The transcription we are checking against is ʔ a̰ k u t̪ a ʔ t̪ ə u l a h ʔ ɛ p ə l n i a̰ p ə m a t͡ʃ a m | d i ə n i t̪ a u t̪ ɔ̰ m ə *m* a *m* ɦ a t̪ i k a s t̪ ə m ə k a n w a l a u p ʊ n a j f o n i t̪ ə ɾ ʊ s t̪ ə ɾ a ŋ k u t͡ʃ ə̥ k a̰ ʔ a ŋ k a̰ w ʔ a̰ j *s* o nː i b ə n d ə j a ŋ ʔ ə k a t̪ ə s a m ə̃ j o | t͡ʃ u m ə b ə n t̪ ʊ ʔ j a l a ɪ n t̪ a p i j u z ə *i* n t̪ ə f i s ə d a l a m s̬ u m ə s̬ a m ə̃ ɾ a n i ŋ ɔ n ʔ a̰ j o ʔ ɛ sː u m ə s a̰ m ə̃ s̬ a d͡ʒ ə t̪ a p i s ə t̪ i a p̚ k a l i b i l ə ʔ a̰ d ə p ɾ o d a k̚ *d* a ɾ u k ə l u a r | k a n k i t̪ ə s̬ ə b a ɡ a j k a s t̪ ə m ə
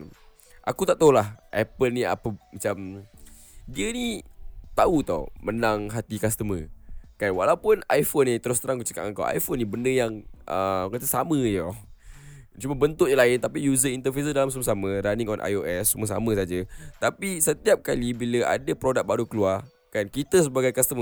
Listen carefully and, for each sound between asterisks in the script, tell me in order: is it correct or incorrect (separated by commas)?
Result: incorrect, incorrect, incorrect, correct, incorrect